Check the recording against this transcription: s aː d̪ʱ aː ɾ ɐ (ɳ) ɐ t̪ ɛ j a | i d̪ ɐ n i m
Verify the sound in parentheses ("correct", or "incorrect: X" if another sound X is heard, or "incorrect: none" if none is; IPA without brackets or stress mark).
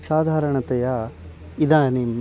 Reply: correct